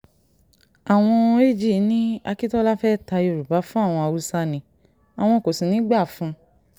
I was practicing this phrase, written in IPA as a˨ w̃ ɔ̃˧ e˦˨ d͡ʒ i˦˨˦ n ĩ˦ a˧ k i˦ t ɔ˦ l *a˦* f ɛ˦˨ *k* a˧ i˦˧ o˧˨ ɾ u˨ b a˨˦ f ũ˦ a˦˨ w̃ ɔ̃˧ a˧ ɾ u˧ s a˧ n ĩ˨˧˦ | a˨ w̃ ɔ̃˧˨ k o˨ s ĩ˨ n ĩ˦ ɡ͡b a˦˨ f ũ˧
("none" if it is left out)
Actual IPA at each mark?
a˦, t

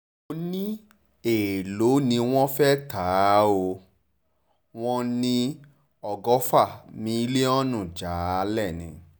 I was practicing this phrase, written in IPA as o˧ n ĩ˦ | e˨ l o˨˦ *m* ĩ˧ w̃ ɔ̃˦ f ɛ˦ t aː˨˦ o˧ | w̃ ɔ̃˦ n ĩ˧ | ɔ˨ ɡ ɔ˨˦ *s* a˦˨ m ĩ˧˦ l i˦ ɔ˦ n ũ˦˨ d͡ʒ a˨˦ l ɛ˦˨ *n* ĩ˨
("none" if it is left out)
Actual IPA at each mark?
n, f, n

